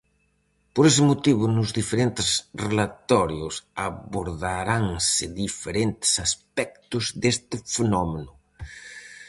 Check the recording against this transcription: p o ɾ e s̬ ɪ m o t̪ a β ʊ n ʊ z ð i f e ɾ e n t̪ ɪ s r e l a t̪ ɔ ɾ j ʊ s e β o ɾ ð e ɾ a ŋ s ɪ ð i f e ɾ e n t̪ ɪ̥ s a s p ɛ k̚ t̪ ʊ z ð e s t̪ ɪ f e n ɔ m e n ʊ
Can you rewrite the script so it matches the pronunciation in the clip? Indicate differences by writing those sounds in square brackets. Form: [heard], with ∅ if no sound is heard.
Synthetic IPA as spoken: p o ɾ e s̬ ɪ m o t̪ [i] β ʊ n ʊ z ð i f e ɾ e n t̪ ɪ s r e l a t̪ ɔ ɾ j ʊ s [a] β o ɾ ð [a] ɾ a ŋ s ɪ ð i f e ɾ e n t̪ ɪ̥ s a s p ɛ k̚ t̪ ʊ z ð e s t̪ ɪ f e n ɔ m e n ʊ

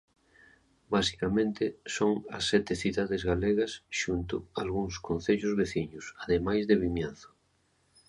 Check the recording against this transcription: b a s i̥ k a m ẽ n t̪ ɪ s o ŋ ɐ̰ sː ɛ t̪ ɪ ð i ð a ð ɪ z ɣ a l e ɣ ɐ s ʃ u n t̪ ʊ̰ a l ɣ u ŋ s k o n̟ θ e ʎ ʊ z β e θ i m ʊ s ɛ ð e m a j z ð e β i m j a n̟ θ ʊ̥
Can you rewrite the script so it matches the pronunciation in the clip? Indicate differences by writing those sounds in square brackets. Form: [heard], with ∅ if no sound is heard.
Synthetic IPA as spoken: b a s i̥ k a m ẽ n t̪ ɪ s o ŋ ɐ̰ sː ɛ t̪ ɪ [θ] i ð a ð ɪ z ɣ a l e ɣ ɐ s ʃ u n t̪ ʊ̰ a l ɣ u ŋ s k o n̟ θ e ʎ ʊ z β e θ i [ɲ] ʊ s [a] ð e m a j z ð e β i m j a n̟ θ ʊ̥

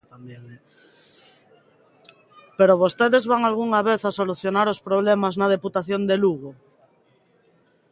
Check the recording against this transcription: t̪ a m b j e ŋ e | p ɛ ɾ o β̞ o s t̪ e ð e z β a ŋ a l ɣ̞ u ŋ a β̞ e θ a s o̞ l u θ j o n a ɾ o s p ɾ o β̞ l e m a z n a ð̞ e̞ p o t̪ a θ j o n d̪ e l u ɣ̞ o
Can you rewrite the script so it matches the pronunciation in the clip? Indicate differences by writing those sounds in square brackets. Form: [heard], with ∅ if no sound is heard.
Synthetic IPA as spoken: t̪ a m b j e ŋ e | p [e] ɾ o β̞ o s t̪ e ð e z β a ŋ a l ɣ̞ u ŋ a β̞ e θ a s o̞ l u θ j o n a ɾ o s p ɾ o β̞ l e m a z n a ð̞ e̞ p [u] t̪ a θ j o n d̪ e l u ɣ̞ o

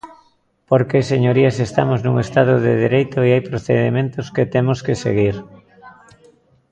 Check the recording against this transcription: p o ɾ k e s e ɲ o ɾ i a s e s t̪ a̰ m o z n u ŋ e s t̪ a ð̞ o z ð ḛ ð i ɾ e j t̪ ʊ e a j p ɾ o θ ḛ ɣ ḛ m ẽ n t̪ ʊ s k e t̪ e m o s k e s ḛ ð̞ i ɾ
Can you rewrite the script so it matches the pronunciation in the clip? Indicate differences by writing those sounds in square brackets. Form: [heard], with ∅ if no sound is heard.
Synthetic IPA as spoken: p o ɾ k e s e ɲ o ɾ i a s e s t̪ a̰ m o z n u ŋ e s t̪ a ð̞ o [∅] ð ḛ ð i ɾ e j t̪ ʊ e a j p ɾ o θ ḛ [ð] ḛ m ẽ n t̪ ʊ s k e t̪ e m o s k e s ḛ [ɣ̞] i ɾ

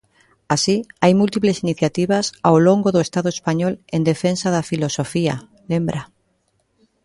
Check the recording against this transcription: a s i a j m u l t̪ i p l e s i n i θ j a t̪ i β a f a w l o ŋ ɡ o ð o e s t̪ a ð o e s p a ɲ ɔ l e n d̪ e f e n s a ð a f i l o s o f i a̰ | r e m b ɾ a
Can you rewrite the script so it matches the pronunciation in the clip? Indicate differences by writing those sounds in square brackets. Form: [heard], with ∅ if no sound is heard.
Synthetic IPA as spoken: a s i a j m u l t̪ i p l e s i n i θ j a t̪ i β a [s] a w l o ŋ ɡ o ð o e s t̪ a ð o e s p a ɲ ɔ l e n d̪ e f e n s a ð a f i l o s o f i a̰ | [l] e m b ɾ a

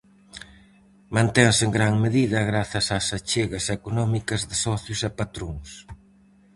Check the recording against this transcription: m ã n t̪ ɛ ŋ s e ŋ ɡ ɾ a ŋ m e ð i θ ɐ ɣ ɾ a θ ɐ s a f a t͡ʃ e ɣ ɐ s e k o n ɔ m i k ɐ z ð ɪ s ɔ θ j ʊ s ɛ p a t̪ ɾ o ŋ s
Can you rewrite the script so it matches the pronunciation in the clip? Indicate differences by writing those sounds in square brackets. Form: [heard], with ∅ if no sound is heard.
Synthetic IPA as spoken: m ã n t̪ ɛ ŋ s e ŋ ɡ ɾ a ŋ m e ð i [ð] ɐ ɣ ɾ a θ ɐ s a [s] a t͡ʃ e ɣ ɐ s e k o n ɔ m i k ɐ z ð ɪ s ɔ θ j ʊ s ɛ p a t̪ ɾ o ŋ s

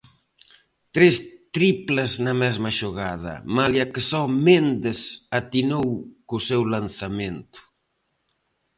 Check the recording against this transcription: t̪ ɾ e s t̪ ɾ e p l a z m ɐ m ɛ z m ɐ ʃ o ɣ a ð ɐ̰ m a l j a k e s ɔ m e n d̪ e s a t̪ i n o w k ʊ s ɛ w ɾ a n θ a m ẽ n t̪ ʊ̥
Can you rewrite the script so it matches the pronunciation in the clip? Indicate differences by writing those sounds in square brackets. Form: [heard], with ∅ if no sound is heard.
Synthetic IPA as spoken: t̪ ɾ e s t̪ ɾ [i] p l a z [n] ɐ m ɛ z m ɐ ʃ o ɣ a ð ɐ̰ m a l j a k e s ɔ m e n d̪ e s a t̪ i n o w k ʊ s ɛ w [l] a n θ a m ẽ n t̪ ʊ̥

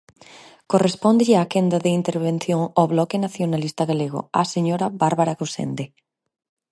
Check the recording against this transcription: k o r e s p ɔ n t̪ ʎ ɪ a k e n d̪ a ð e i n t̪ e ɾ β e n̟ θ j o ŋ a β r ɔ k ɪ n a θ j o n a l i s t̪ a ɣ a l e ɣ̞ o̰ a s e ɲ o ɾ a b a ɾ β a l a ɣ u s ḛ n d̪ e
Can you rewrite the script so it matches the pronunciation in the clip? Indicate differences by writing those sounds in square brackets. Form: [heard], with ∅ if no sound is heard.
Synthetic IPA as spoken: k o r e s p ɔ n [d̪] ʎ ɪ a k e n d̪ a ð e i n t̪ e ɾ β e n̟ θ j o ŋ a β [l] ɔ k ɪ n a θ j o n a l i s t̪ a ɣ a l e ɣ̞ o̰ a s e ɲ o ɾ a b a ɾ β a [ɾ] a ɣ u s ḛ n d̪ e

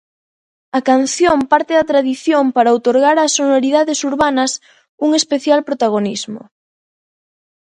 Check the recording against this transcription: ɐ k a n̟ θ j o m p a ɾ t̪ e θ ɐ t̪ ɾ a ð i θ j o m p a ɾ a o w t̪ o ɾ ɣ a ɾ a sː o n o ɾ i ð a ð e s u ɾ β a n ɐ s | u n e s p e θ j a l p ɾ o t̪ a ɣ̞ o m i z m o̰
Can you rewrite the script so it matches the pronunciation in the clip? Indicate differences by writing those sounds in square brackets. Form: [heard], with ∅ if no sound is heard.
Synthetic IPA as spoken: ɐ k a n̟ θ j o m p a ɾ t̪ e [ð] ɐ t̪ ɾ a ð i θ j o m p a ɾ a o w t̪ o ɾ ɣ a ɾ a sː o n o ɾ i ð a ð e s u ɾ β a n ɐ s | u [ŋ] e s p e θ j a l p ɾ o t̪ a ɣ̞ o [n] i z m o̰

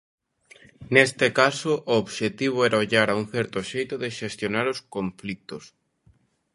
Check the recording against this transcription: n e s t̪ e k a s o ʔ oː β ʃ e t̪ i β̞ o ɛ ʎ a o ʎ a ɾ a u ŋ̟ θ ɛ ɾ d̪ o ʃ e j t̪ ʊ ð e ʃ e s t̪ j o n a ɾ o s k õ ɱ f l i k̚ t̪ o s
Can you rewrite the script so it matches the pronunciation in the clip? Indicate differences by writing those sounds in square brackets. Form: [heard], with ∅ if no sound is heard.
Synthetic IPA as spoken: n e s t̪ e k a s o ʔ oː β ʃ e t̪ i β̞ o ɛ [ɾ] a o ʎ a ɾ a u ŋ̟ θ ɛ ɾ [t̪] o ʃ e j t̪ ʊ ð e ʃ e s t̪ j o n a ɾ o s k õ ɱ f l i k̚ t̪ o s

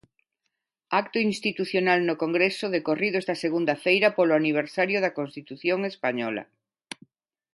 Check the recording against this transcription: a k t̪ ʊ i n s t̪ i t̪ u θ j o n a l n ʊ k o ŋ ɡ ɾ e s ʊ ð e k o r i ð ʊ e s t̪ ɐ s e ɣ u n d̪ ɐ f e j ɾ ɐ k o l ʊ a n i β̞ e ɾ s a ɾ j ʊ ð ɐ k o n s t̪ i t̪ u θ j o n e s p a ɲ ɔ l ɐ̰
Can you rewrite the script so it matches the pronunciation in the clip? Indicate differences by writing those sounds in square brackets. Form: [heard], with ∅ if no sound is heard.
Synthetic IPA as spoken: a k t̪ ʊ i n s t̪ i t̪ u θ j o n a l n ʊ k o ŋ ɡ ɾ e s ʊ ð e k o r i ð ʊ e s t̪ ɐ s e ɣ u n d̪ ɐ f e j ɾ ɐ [p] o l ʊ a n i β̞ e ɾ s a ɾ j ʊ ð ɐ k o n s t̪ i t̪ u θ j o [ŋ] e s p a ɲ ɔ l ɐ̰

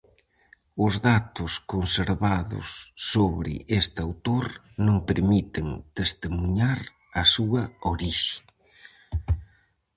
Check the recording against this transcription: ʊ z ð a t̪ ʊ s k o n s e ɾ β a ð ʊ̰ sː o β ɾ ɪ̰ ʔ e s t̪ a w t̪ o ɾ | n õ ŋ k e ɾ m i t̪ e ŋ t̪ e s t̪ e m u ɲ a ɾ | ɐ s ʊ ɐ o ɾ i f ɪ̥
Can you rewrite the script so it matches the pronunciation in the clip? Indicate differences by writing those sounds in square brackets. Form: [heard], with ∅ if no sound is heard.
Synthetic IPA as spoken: ʊ z ð a t̪ ʊ s k o n s e ɾ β a ð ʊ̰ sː o β ɾ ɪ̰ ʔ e s t̪ a w t̪ o ɾ | n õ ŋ [p] e ɾ m i t̪ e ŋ t̪ e s t̪ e m u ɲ a ɾ | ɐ s [u] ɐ o ɾ i [ʃ] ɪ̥

